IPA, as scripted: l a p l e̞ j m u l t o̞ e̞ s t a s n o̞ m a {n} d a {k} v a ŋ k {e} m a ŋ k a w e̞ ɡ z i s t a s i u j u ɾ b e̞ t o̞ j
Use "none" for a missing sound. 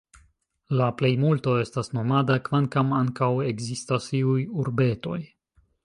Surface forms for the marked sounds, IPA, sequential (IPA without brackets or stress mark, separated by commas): none, k, a